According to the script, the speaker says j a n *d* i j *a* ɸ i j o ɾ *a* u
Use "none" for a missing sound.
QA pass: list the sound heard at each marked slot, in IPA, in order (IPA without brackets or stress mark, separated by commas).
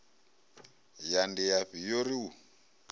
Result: d, a, i